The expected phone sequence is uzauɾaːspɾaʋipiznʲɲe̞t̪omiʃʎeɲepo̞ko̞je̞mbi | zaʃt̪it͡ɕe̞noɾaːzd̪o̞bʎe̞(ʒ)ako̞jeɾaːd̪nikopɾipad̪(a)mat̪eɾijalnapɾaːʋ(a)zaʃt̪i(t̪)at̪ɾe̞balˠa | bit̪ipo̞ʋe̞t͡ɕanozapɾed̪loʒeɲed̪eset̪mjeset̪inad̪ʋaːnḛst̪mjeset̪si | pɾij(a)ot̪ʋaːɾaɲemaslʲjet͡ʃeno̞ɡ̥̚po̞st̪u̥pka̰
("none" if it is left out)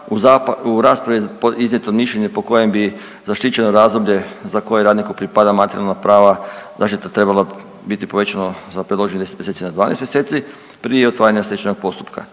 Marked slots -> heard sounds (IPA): z, a, a, t̪, e

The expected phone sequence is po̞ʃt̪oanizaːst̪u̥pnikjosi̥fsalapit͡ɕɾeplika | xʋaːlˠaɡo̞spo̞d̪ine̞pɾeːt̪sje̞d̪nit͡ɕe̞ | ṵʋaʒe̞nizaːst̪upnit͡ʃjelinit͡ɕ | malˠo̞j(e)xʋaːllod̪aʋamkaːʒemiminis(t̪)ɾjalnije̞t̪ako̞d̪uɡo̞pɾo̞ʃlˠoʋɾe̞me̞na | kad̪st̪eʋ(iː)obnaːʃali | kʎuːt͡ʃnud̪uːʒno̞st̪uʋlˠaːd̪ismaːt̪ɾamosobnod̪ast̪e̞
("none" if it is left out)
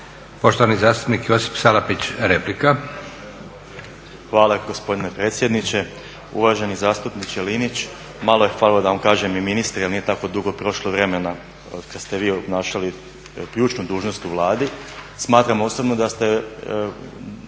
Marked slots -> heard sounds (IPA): e, t̪, iː

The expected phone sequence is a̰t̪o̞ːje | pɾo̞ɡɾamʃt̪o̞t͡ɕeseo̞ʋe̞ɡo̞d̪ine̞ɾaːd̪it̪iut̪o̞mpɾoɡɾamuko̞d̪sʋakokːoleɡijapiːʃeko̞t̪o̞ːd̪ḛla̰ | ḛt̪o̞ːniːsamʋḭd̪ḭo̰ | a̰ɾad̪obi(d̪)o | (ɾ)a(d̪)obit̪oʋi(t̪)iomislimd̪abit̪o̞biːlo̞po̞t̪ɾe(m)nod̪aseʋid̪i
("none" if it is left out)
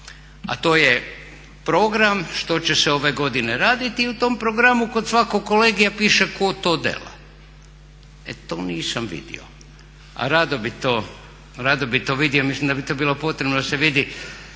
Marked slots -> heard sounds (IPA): t̪, ɾ, d̪, d̪, b

